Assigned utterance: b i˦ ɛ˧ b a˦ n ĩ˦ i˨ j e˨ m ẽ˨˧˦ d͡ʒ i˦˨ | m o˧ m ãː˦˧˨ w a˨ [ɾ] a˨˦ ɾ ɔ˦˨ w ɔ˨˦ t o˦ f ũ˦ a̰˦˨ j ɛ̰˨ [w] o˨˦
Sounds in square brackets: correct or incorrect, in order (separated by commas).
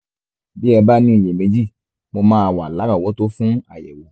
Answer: incorrect, correct